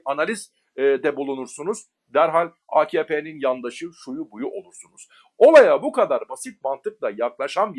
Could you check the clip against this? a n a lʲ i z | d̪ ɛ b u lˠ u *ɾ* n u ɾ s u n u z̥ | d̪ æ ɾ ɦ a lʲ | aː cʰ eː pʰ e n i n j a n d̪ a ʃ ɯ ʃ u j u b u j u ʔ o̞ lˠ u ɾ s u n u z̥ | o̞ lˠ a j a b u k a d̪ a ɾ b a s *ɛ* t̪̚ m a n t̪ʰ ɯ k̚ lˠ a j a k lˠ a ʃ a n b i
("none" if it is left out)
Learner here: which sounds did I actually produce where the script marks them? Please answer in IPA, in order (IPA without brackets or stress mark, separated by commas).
none, i